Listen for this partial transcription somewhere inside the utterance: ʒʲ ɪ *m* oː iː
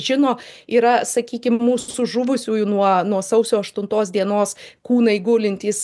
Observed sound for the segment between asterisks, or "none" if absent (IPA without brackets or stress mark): n